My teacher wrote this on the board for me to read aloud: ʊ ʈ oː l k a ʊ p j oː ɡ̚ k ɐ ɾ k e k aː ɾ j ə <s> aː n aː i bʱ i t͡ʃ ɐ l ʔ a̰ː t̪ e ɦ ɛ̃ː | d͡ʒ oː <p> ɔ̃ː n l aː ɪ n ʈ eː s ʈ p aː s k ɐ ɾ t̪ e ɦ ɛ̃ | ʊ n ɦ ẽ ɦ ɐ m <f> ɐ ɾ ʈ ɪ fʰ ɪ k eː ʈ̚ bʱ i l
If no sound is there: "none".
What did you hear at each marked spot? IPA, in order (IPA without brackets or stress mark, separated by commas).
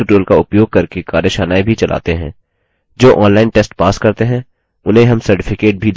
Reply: ʃ, ʔ, s